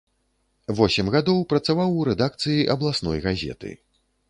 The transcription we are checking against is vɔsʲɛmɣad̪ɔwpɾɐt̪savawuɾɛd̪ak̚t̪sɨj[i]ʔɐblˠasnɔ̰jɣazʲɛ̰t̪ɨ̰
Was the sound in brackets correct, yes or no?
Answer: yes